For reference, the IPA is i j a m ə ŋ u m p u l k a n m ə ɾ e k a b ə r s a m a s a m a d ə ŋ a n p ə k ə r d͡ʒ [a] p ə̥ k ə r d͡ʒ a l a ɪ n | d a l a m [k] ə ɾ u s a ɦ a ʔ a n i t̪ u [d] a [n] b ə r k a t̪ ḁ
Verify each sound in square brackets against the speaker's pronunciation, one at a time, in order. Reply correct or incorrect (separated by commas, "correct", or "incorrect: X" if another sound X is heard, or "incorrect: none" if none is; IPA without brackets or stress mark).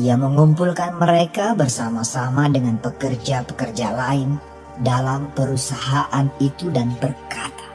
correct, incorrect: p, correct, correct